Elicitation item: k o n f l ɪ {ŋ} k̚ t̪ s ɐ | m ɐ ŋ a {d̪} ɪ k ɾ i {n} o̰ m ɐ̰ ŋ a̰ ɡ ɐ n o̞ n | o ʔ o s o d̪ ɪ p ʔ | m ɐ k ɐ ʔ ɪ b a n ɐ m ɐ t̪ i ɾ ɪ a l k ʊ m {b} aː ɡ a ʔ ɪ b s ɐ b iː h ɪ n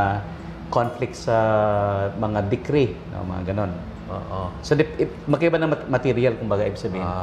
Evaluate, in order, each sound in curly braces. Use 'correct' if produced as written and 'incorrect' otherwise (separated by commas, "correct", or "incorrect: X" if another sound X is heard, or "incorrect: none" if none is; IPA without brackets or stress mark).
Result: incorrect: none, correct, correct, correct